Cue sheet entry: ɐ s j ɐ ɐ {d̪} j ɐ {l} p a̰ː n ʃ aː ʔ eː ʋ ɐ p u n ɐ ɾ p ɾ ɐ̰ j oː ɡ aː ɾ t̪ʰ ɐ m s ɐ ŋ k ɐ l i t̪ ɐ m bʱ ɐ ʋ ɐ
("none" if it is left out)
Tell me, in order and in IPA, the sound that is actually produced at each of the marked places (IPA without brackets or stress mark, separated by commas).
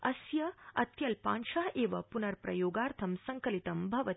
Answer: t̪, l